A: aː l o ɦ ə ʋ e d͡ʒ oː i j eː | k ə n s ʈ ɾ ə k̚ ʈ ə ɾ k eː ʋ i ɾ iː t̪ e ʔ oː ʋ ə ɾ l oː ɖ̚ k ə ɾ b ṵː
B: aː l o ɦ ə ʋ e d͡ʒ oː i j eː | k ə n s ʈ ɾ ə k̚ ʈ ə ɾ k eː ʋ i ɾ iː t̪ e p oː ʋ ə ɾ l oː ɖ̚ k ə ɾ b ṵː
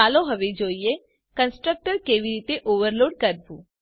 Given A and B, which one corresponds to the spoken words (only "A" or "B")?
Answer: A